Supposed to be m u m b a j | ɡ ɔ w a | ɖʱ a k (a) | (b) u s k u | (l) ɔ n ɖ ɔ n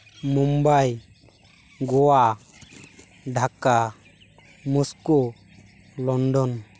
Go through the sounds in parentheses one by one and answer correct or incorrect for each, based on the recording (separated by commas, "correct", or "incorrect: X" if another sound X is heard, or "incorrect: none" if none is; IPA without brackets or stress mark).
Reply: correct, incorrect: m, correct